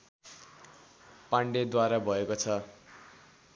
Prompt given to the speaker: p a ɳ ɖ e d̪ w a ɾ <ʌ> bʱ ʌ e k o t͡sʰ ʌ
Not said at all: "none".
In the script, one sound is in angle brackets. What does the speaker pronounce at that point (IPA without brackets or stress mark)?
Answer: a